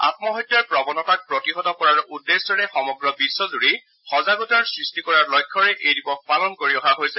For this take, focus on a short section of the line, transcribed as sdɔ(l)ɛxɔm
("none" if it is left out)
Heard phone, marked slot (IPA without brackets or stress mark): ɹ